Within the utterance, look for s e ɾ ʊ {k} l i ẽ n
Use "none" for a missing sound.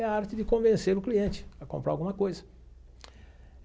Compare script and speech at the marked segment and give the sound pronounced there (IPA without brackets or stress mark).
k